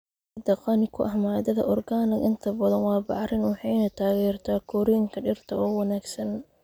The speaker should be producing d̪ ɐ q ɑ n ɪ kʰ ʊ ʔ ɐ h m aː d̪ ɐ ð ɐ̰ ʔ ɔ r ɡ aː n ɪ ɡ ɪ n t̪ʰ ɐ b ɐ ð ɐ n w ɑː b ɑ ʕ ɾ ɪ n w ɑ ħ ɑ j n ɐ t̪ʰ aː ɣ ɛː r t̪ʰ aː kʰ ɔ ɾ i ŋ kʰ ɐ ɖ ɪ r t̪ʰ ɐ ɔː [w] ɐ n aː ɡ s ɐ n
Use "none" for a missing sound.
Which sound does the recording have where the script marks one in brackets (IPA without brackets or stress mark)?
w